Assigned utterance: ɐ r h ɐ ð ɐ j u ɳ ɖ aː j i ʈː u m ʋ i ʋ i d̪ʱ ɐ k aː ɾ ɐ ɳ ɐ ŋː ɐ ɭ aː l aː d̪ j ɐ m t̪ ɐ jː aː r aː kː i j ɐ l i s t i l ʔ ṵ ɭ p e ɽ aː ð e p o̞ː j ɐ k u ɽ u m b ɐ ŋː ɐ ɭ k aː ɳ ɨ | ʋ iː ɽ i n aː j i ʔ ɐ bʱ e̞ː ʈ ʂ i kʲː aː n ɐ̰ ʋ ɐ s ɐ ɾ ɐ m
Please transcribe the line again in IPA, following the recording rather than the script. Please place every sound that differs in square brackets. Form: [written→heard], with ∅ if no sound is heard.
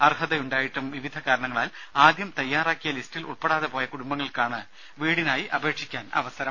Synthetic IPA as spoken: ɐ r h ɐ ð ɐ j u ɳ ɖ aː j i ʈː u m ʋ i ʋ i d̪ʱ ɐ k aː ɾ ɐ ɳ ɐ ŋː ɐ ɭ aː l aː d̪ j ɐ m t̪ ɐ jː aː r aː kː i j ɐ l i s t i l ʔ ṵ ɭ p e ɽ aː ð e p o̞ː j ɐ k u ɽ u m b ɐ ŋː ɐ ɭ k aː ɳ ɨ | ʋ iː ɽ i n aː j i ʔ ɐ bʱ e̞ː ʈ ʂ i kʲː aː n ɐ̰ ʋ ɐ s ɐ ɾ ɐ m